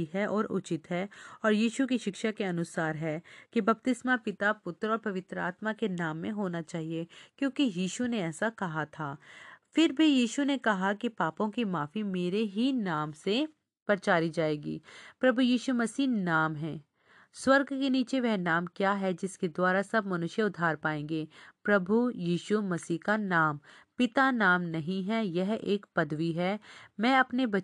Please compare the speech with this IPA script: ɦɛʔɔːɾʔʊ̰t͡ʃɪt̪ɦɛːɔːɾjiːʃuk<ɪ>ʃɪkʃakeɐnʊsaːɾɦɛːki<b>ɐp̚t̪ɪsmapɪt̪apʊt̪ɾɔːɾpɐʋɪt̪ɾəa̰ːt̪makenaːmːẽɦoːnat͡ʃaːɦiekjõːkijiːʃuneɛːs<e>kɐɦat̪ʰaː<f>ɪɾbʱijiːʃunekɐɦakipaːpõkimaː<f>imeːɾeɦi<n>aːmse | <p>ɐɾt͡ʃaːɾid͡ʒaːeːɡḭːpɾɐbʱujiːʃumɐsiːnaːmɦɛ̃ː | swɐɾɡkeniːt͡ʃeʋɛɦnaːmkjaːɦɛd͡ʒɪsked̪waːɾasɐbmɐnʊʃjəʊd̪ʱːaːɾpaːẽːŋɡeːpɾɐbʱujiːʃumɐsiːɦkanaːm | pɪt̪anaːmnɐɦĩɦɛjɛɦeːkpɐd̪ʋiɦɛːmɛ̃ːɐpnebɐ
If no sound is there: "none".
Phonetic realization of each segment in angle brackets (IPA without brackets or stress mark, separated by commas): i, b, a, f, f, n, p